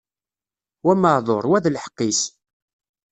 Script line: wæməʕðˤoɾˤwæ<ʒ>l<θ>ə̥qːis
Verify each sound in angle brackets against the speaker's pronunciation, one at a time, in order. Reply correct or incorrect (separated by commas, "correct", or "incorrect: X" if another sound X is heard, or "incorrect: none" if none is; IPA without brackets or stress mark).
incorrect: ð, incorrect: ħ